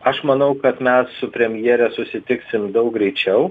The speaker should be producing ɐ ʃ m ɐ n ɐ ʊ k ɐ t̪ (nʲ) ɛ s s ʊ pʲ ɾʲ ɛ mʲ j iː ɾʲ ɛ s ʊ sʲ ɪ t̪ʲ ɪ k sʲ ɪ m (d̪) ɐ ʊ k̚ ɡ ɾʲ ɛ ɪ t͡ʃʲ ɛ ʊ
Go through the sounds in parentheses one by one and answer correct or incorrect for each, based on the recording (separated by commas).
incorrect, correct